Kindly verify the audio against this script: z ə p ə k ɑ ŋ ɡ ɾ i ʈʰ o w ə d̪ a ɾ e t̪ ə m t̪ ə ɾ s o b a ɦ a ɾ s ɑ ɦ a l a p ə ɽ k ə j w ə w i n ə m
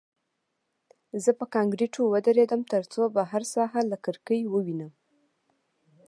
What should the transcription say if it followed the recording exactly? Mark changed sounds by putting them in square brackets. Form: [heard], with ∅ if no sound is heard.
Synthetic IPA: z ə p ə k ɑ ŋ ɡ ɾ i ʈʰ o w ə d̪ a ɾ e [d̪] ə m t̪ ə ɾ [t͡s] o b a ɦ a ɾ s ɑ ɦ a l a [k] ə [ɾ] k ə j w ə w i n ə m